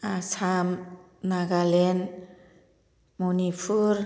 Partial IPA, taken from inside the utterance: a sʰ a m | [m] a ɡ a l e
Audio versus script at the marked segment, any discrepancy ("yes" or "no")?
yes